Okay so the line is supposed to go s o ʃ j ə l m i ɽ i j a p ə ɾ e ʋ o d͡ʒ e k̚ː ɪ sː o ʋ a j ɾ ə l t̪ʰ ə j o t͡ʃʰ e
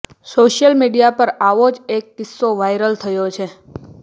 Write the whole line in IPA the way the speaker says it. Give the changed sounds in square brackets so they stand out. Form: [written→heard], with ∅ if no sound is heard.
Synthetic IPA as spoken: s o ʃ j ə l m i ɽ i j a p ə ɾ [e→a] ʋ o d͡ʒ e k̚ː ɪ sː o ʋ a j ɾ ə l t̪ʰ ə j o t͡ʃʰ e